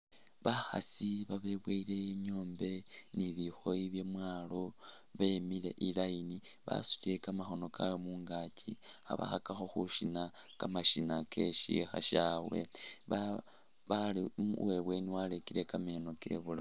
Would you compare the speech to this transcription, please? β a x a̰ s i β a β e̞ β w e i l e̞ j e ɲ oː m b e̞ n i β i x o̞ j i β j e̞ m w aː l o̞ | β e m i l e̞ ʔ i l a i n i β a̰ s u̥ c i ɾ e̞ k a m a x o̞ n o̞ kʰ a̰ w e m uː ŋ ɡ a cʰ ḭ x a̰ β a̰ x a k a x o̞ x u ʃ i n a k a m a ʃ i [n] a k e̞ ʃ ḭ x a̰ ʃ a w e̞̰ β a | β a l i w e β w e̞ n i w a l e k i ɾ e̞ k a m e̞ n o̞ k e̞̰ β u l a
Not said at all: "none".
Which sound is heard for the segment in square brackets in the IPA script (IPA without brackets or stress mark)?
n